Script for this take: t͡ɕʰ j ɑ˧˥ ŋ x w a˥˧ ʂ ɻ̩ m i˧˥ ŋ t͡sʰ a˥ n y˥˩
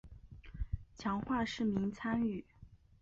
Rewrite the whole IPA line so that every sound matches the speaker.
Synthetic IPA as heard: t͡ɕʰ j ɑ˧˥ ŋ x w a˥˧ ʂ ɻ̩ m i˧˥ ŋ t͡sʰ a˥ n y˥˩